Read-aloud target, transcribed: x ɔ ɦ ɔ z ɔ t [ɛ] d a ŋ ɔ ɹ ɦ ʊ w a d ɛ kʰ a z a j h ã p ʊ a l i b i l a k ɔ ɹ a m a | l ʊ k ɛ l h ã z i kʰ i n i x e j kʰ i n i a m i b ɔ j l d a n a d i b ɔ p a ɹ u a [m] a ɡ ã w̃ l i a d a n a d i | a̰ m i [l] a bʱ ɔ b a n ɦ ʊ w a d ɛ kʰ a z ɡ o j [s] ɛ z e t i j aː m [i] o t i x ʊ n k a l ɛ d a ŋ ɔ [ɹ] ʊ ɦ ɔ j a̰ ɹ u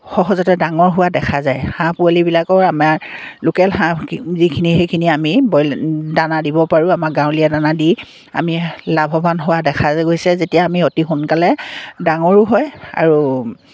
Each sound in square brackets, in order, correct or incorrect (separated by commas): correct, correct, correct, correct, correct, correct